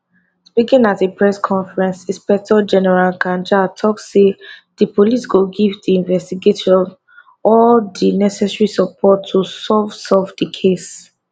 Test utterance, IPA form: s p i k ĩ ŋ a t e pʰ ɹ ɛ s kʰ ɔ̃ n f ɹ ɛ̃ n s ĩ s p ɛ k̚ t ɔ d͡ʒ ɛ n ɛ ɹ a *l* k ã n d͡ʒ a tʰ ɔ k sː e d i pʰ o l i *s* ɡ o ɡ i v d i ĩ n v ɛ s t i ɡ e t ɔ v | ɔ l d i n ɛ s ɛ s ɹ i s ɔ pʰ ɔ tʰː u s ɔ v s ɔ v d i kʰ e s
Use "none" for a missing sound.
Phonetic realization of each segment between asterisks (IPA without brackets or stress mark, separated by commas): l, s